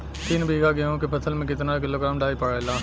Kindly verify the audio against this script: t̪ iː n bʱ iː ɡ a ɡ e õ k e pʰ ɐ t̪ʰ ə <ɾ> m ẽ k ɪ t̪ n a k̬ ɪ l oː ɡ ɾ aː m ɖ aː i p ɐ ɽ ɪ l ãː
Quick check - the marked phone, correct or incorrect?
incorrect